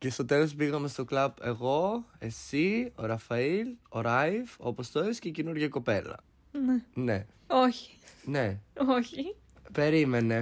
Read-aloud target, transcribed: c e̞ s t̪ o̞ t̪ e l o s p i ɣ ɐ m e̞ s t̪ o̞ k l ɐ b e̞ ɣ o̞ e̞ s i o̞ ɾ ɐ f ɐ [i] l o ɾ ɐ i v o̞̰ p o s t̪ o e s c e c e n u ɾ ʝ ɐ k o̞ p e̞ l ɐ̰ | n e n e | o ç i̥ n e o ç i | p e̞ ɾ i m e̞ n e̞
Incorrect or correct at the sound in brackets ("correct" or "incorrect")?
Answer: correct